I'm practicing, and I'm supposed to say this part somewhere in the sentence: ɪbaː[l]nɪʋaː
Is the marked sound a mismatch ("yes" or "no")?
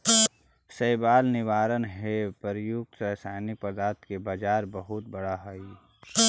no